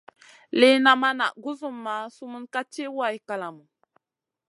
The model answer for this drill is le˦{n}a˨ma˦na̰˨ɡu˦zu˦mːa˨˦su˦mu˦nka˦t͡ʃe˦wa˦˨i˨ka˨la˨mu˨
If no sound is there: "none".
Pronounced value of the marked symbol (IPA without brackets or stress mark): n